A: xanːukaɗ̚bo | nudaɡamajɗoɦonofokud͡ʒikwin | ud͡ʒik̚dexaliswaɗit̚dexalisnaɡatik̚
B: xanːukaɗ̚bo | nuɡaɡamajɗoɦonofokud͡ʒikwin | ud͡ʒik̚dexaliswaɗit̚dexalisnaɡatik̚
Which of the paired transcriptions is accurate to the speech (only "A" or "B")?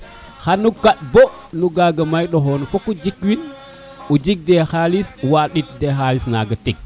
B